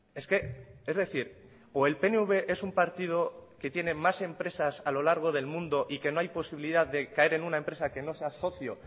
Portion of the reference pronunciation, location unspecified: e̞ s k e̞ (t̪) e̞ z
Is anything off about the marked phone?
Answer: yes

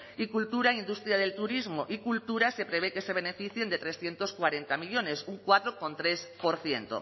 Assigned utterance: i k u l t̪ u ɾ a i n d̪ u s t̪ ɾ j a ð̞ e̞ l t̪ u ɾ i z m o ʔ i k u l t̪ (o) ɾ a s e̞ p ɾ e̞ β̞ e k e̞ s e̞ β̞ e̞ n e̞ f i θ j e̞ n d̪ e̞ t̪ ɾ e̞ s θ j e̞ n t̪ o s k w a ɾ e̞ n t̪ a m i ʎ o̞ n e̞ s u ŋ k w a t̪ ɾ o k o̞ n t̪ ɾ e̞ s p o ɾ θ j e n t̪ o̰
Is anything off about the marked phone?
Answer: yes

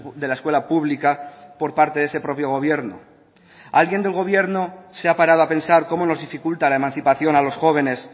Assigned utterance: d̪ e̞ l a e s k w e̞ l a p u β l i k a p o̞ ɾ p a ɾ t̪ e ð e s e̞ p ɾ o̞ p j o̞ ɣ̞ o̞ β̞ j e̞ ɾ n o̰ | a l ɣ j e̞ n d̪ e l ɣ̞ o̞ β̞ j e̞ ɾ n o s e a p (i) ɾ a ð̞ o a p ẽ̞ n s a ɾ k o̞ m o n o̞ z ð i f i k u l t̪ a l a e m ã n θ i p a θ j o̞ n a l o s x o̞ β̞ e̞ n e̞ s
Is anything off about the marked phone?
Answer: yes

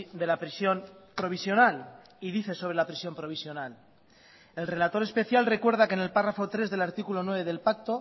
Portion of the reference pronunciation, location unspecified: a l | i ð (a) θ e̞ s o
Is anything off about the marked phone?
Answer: yes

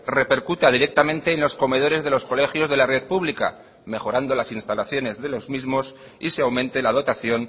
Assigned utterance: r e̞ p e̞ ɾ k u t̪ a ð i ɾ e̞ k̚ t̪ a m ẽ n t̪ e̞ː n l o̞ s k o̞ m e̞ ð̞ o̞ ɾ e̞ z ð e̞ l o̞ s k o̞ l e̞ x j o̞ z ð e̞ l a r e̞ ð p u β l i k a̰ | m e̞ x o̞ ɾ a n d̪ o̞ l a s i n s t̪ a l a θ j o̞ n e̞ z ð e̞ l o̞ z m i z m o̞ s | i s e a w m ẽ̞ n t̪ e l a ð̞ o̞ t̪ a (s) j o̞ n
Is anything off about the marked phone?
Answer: yes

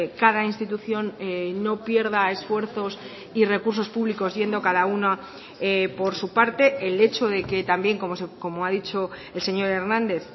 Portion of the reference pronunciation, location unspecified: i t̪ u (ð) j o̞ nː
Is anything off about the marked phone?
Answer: yes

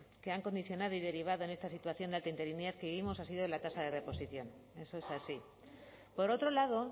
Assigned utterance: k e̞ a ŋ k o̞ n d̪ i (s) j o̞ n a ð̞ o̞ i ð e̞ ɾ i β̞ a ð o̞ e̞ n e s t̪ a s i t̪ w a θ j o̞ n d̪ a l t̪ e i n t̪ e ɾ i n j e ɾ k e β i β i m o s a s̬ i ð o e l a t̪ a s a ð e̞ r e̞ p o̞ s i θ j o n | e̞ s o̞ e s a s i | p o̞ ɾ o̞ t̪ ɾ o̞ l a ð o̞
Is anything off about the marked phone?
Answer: yes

